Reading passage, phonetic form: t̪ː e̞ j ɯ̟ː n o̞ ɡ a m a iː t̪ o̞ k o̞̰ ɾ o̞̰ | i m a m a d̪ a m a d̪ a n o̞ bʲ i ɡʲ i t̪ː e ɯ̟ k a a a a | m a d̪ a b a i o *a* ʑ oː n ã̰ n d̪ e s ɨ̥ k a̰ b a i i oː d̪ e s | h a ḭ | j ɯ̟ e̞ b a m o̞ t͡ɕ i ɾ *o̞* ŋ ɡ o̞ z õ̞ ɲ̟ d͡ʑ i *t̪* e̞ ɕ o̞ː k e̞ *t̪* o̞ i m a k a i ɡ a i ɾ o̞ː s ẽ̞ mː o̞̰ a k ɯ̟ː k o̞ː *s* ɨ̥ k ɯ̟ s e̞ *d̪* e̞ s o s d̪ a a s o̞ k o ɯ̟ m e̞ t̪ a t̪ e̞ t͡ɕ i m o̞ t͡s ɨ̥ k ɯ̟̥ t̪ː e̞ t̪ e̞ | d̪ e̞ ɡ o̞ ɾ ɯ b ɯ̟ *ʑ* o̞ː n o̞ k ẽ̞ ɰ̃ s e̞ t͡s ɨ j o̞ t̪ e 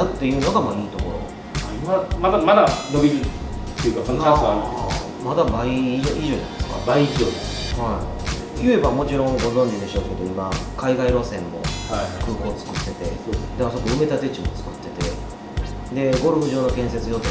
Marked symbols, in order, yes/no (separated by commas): no, no, no, no, no, no, yes